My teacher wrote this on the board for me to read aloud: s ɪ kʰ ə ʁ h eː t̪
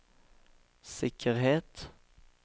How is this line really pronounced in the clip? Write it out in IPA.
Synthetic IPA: s ɪ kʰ ə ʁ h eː t̪